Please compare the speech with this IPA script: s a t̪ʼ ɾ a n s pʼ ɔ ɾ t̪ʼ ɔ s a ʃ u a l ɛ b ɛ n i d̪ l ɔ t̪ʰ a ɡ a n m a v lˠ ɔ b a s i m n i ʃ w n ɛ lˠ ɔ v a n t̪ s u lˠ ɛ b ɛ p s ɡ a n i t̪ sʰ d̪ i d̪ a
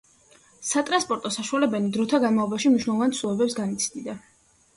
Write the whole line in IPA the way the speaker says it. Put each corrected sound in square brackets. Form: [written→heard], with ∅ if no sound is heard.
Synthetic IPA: s a t̪ʼ ɾ a n s pʼ ɔ ɾ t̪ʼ ɔ s a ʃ u a l ɛ b ɛ n i d̪ [l→ɾ] ɔ t̪ʰ a ɡ a n m a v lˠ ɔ b a [s→ʃ] i m n i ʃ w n ɛ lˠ ɔ v a n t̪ s u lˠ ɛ b ɛ p s ɡ a n i t̪ sʰ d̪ i d̪ a